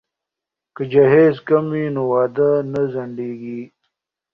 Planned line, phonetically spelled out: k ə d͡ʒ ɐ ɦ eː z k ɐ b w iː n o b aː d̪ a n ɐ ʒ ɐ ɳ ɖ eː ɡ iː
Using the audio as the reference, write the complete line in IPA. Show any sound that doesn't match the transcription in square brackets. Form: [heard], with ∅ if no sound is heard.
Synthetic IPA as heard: k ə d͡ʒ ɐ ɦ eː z k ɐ [m] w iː n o [w] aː d̪ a n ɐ [z] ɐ ɳ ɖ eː ɡ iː